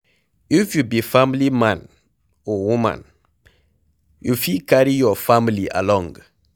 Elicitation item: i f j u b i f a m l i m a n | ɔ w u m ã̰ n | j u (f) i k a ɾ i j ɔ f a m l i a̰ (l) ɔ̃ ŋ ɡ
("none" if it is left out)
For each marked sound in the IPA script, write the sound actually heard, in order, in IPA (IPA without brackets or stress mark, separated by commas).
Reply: f, l